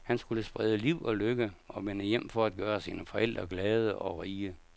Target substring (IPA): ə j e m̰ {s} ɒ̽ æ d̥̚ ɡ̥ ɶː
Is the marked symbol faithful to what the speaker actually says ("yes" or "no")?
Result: no